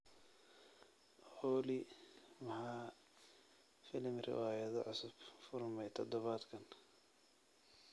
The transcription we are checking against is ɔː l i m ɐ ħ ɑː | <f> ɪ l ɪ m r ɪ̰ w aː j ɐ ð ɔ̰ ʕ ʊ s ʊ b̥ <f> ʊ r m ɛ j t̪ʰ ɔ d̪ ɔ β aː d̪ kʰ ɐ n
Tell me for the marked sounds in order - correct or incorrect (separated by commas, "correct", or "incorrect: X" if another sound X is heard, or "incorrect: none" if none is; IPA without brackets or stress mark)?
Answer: correct, correct